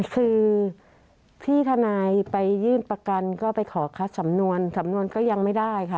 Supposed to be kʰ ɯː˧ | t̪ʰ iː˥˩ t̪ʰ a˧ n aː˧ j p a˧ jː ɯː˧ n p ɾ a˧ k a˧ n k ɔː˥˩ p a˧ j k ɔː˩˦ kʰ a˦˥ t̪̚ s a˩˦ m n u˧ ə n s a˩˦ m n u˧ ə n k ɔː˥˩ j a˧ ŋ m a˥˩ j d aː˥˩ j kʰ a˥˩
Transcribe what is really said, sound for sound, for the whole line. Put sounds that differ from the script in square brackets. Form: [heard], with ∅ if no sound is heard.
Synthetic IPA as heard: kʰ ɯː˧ | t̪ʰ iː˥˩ t̪ʰ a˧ n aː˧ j p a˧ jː [ɯː˥˩] n p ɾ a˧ k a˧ n k ɔː˥˩ p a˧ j [kʰ] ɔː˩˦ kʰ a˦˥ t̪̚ s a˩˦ m n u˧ ə n s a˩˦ m n u˧ ə n k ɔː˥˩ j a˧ ŋ m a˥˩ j d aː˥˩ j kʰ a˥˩